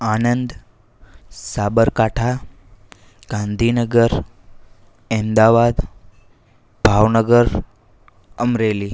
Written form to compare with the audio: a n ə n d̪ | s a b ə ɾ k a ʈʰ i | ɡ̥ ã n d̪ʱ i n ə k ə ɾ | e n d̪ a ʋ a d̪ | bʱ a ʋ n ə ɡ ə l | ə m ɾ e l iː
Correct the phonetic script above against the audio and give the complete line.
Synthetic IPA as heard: a n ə n d̪ | s a b ə ɾ k a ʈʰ a | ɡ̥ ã n d̪ʱ i n ə ɡ ə ɾ | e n d̪ a ʋ a d̪ | bʱ a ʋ n ə ɡ ə ɾ | ə m ɾ e l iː